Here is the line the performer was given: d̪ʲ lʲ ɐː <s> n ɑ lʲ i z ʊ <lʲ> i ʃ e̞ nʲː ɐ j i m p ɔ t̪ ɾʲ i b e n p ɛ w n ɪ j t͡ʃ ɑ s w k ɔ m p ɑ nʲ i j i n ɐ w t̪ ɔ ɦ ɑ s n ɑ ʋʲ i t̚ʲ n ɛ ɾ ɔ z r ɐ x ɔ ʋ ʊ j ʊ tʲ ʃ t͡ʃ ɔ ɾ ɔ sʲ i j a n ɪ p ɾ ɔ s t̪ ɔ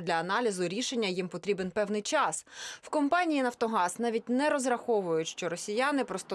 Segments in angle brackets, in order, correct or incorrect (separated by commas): incorrect, incorrect